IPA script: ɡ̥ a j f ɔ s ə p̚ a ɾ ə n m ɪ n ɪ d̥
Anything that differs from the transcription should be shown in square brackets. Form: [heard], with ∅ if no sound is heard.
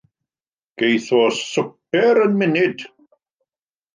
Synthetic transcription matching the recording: ɡ̥ [e] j [θ] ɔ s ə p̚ [ɛ] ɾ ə n m ɪ n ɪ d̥